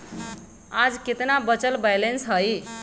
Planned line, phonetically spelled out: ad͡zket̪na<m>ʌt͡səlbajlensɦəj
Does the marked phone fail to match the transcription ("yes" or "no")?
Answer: yes